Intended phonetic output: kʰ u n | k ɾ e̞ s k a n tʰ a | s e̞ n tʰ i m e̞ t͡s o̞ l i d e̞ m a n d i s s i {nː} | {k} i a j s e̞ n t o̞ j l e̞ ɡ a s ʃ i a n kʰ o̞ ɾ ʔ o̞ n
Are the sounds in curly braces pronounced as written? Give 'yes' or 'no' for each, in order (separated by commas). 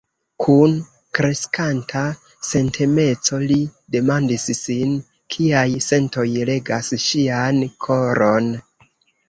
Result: no, no